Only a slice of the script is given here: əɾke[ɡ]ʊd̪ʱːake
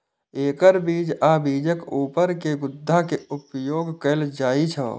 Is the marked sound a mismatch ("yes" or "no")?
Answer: no